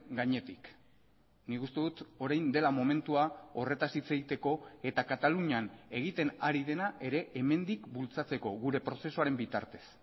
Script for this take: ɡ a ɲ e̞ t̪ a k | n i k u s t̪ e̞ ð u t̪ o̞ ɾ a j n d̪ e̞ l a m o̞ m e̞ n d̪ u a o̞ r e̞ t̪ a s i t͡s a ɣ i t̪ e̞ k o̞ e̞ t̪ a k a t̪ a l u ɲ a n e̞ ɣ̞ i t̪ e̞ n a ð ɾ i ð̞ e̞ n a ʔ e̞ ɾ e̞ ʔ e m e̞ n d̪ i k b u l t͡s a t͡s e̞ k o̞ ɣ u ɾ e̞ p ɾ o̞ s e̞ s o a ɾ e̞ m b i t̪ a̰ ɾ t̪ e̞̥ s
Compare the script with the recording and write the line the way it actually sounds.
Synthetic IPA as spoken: ɡ a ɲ e̞ t̪ i k | n i k u s t̪ e̞ ð u t̪ o̞ ɾ a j n d̪ e̞ l a m o̞ m e̞ n t̪ u a o̞ r e̞ t̪ a s i t͡s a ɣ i t̪ e̞ k o̞ e̞ t̪ a k a t̪ a l u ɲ a n e̞ ɣ̞ i t̪ e̞ n a ɾ i ð̞ e̞ n a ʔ e̞ ɾ e̞ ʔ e m e̞ n d̪ i k b u l t͡s a t͡s e̞ k o̞ ɣ u ɾ e̞ p ɾ o̞ s e̞ s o a ɾ e̞ m b i t̪ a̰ ɾ t̪ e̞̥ s

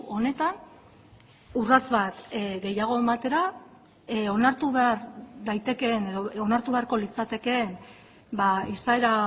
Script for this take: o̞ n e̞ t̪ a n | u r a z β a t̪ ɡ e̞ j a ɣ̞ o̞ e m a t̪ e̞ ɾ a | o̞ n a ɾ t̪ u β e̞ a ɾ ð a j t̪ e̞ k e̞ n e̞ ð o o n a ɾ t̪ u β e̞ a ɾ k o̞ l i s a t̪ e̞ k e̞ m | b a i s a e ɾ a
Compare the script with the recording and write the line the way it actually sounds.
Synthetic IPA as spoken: o̞ n e̞ t̪ a n | u r a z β a t̪ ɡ e̞ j a ɣ̞ o̞ e m a t̪ e̞ ɾ a | o̞ n a ɾ t̪ u β e̞ a ɾ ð a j t̪ e̞ k e̞ n e̞ ð o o n a ɾ t̪ u β e̞ a ɾ k o̞ l i t͡s a t̪ e̞ k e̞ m | b a i s a e ɾ a

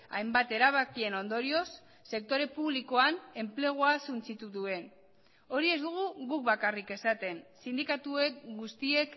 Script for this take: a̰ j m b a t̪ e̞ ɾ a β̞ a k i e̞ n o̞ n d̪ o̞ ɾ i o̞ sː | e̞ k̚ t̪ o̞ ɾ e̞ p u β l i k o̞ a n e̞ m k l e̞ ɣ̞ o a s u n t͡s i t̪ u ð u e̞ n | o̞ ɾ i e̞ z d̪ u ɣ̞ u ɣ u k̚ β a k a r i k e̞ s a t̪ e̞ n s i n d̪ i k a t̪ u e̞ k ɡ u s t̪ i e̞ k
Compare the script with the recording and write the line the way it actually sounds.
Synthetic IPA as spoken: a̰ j m b a t̪ e̞ ɾ a β̞ a k i e̞ n o̞ n d̪ o̞ ɾ i o̞ sː | e̞ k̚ t̪ o̞ ɾ e̞ p u β l i k o̞ a n e̞ m p l e̞ ɣ̞ o a s u n t͡s i t̪ u ð u e̞ n | o̞ ɾ i e̞ z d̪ u ɣ̞ u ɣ u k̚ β a k a r i k e̞ s a t̪ e̞ n s i n d̪ i k a t̪ u e̞ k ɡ u s t̪ i e̞ k

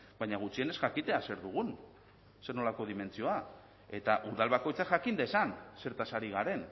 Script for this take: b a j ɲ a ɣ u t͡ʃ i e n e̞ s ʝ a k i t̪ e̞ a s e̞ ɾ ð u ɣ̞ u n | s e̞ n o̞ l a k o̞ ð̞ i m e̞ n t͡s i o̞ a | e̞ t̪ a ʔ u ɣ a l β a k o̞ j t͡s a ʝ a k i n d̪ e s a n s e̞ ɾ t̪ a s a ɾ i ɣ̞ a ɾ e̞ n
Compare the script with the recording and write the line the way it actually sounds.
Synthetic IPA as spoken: b a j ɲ a ɣ u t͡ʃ i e n e̞ s ʝ a k i t̪ e̞ a s e̞ ɾ ð u ɣ̞ u n | s e̞ n o̞ l a k o̞ ð̞ i m e̞ n t͡s i o̞ a | e̞ t̪ a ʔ u ð a l β a k o̞ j t͡s a ʝ a k i n d̪ e s a n s e̞ ɾ t̪ a s a ɾ i ɣ̞ a ɾ e̞ n

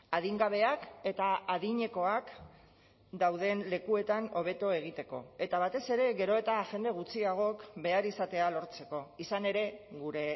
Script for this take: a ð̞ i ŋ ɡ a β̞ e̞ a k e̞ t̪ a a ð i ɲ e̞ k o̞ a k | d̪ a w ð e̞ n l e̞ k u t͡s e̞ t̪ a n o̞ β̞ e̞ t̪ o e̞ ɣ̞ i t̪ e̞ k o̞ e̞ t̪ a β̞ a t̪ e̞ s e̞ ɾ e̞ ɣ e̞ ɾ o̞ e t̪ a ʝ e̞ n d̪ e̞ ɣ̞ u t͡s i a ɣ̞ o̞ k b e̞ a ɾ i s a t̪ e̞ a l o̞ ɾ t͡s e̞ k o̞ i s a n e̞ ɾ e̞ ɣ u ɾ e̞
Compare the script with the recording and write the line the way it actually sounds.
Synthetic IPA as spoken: a ð̞ i ŋ ɡ a β̞ e̞ a k e̞ t̪ a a ð i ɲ e̞ k o̞ a k | d̪ a w ð e̞ n l e̞ k u e̞ t̪ a n o̞ β̞ e̞ t̪ o e̞ ɣ̞ i t̪ e̞ k o̞ e̞ t̪ a β̞ a t̪ e̞ s e̞ ɾ e̞ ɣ e̞ ɾ o̞ e t̪ a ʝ e̞ n d̪ e̞ ɣ̞ u t͡s i a ɣ̞ o̞ k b e̞ a ɾ i s a t̪ e̞ a l o̞ ɾ t͡s e̞ k o̞ i s a n e̞ ɾ e̞ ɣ u ɾ e̞

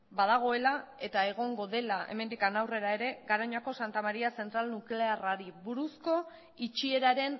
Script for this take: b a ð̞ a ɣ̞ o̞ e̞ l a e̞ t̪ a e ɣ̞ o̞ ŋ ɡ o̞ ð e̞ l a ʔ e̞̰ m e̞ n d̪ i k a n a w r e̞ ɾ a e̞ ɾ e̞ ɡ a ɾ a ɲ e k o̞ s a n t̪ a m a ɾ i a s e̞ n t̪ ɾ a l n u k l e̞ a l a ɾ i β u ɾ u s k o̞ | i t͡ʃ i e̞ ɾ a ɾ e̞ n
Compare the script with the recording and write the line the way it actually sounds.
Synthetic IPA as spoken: b a ð̞ a ɣ̞ o̞ e̞ l a e̞ t̪ a e ɣ̞ o̞ ŋ ɡ o̞ ð e̞ l a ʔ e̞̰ m e̞ n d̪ i k a n a w r e̞ ɾ a e̞ ɾ e̞ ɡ a ɾ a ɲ a k o̞ s a n t̪ a m a ɾ i a s e̞ n t̪ ɾ a l n u k l e̞ a r a ɾ i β u ɾ u s k o̞ | i t͡ʃ i e̞ ɾ a ɾ e̞ n

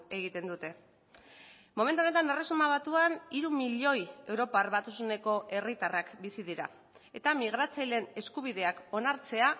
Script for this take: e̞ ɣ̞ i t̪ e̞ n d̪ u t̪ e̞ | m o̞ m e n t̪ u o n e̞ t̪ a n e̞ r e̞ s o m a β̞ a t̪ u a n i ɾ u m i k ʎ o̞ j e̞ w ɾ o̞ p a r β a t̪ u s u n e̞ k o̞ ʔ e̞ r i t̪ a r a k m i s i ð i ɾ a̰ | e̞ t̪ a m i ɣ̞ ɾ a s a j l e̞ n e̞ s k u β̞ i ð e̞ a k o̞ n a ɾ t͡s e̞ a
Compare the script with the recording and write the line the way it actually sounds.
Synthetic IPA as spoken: e̞ ɣ̞ i t̪ e̞ n d̪ u t̪ e̞ | m o̞ m e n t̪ u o n e̞ t̪ a n e̞ r e̞ s u m a β̞ a t̪ u a n i ɾ u m i ʎ o̞ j e̞ w ɾ o̞ p a r β a t̪ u s u n e̞ k o̞ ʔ e̞ r i t̪ a r a k b i s i ð i ɾ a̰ | e̞ t̪ a m i ɣ̞ ɾ a t͡s a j l e̞ n e̞ s k u β̞ i ð e̞ a k o̞ n a ɾ t͡s e̞ a

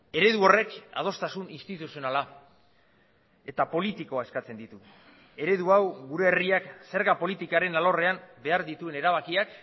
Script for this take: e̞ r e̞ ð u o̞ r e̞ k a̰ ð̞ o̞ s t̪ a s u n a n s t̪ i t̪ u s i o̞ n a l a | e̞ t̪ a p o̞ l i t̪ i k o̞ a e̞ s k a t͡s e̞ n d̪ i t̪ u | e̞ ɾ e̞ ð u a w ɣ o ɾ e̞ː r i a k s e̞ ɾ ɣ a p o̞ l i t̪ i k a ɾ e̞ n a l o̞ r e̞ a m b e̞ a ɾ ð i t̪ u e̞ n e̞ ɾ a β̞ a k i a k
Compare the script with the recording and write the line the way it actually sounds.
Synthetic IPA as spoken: e̞ ɾ e̞ ð u o̞ r e̞ k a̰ ð̞ o̞ s t̪ a s u n i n s t̪ i t̪ u s i o̞ n a l a | e̞ t̪ a p o̞ l i t̪ i k o̞ a e̞ s k a t͡s e̞ n d̪ i t̪ u | e̞ ɾ e̞ ð u a w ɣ u ɾ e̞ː r i a k s e̞ ɾ ɣ a p o̞ l i t̪ i k a ɾ e̞ n a l o̞ r e̞ a m b e̞ a ɾ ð i t̪ u e̞ n e̞ ɾ a β̞ a k i a k

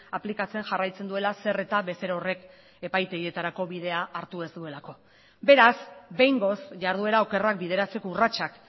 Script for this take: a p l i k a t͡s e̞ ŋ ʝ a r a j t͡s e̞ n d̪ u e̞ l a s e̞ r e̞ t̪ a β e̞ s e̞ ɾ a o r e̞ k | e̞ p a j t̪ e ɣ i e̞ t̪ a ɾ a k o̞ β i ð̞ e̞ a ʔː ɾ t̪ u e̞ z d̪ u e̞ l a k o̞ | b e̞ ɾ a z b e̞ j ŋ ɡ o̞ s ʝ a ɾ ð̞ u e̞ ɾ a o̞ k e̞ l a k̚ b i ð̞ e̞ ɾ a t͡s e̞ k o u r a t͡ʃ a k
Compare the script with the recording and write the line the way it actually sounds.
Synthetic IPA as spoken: a p l i k a t͡s e̞ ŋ ʝ a r a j t͡s e̞ n d̪ u e̞ l a s e̞ r e̞ t̪ a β e̞ s e̞ ɾ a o r e̞ k | e̞ p a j t̪ e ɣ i e̞ t̪ a ɾ a k o̞ β i ð̞ e̞ a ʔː ɾ t̪ u e̞ z d̪ u e̞ l a k o̞ | b e̞ ɾ a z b e̞ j ŋ ɡ o̞ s ʝ a ɾ ð̞ u e̞ ɾ a o̞ k e̞ r a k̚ b i ð̞ e̞ ɾ a t͡s e̞ k o u r a t͡ʃ a k

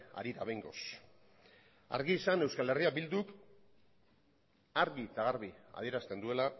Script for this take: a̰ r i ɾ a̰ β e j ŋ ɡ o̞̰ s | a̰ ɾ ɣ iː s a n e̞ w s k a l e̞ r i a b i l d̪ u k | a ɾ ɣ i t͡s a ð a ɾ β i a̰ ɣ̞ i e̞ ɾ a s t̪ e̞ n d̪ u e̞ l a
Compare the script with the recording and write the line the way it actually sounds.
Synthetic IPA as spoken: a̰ ɾ i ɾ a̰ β e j ŋ ɡ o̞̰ s | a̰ ɾ ɣ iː s a n e̞ w s k a l e̞ r i a b i l d̪ u k | a ɾ ɣ i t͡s a ɣ a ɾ β i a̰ ð̞ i e̞ ɾ a s t̪ e̞ n d̪ u e̞ l a

